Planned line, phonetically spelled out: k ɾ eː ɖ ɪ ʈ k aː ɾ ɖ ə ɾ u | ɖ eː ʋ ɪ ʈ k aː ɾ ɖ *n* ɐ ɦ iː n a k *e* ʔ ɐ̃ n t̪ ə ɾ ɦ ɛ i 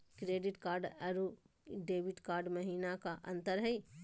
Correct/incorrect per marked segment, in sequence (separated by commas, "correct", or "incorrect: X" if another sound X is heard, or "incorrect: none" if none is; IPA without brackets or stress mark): incorrect: m, incorrect: a